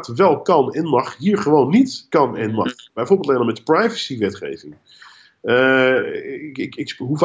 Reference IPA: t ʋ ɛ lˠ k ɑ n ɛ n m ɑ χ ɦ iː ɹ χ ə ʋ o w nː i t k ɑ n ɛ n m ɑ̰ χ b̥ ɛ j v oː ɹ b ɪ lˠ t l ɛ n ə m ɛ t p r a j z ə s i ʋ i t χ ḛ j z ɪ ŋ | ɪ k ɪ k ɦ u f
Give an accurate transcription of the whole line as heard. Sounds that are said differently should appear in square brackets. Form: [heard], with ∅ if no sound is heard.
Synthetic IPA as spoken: t ʋ ɛ lˠ k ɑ n ɛ n m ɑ χ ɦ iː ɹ χ ə ʋ o w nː i t k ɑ n ɛ n m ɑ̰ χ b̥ ɛ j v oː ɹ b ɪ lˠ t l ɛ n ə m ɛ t p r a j [v] ə s i ʋ [ɛ] t χ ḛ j [v] ɪ ŋ | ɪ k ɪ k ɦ u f